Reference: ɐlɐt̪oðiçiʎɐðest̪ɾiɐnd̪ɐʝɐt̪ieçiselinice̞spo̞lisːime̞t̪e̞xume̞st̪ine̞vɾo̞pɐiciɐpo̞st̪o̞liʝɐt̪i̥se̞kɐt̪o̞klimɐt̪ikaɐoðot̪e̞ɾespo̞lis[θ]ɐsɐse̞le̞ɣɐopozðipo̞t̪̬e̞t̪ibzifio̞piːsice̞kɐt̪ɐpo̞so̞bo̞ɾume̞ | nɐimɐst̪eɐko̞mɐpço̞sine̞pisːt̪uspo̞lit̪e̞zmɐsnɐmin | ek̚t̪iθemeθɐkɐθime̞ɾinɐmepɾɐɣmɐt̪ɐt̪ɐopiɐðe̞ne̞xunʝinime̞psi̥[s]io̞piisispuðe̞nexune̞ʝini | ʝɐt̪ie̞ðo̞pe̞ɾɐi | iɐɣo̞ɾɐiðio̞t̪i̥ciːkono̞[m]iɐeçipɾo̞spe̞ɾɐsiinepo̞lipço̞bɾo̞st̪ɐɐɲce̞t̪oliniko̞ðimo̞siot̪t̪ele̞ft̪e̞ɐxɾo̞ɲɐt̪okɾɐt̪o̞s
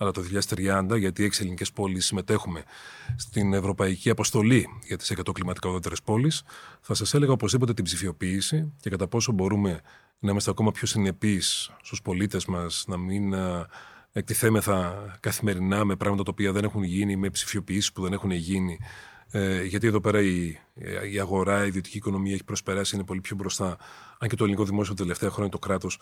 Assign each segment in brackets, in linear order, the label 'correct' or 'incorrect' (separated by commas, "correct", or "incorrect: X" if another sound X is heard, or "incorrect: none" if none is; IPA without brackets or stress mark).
correct, incorrect: f, correct